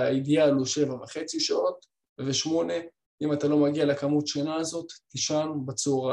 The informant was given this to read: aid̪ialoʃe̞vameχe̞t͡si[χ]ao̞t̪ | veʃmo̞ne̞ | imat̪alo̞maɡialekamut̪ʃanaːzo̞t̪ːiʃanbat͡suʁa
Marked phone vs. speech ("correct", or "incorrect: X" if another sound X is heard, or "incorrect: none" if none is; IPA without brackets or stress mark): incorrect: ʃ